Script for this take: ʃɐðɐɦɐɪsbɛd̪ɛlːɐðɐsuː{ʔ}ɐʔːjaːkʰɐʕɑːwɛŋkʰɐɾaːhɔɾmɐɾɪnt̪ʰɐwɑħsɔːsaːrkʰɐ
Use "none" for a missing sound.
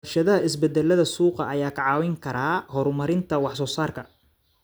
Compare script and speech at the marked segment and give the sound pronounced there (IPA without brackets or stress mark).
q